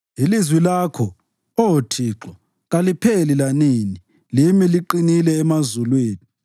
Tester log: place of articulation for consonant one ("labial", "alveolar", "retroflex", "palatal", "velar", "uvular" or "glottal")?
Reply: alveolar